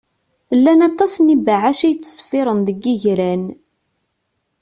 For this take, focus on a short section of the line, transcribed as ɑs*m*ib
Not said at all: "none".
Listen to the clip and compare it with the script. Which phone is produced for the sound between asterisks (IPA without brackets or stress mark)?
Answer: n